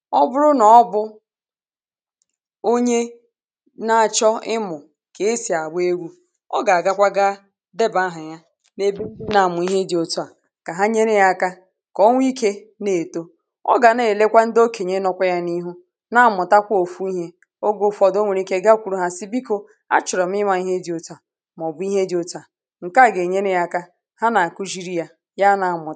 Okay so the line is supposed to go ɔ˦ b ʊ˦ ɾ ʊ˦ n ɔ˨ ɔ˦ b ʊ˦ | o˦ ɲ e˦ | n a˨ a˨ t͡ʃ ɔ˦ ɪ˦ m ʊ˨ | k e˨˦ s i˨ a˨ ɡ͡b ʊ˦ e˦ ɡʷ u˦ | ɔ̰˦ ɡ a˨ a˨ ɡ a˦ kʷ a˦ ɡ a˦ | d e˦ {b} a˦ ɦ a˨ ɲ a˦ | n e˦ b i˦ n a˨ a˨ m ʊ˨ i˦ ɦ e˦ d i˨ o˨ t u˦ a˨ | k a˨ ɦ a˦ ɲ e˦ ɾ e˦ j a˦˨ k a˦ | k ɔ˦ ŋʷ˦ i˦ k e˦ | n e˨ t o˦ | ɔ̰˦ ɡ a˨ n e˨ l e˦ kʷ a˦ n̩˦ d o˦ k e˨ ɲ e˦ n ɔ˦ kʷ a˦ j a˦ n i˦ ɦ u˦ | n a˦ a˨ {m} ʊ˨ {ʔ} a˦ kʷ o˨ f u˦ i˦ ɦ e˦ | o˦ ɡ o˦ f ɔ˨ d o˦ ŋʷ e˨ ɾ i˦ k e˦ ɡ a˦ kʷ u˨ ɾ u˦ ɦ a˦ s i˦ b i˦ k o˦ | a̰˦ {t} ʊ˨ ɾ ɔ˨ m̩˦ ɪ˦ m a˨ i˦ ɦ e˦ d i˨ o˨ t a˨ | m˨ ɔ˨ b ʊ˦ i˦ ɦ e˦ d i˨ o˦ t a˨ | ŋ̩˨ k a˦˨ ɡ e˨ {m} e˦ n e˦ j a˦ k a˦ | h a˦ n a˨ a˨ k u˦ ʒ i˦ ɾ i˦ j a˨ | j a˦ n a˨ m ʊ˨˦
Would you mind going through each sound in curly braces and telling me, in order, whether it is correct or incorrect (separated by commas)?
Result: correct, correct, incorrect, incorrect, incorrect